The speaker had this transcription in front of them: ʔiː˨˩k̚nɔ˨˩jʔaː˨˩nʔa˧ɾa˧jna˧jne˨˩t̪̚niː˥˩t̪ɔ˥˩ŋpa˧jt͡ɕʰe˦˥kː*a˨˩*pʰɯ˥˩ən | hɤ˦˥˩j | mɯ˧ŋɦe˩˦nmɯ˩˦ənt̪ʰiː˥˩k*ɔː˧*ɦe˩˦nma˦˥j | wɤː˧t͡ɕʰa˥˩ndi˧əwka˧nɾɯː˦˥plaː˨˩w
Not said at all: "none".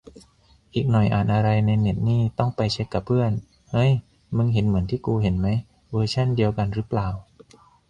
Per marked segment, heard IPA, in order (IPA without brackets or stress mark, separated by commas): a˨˩, uː˧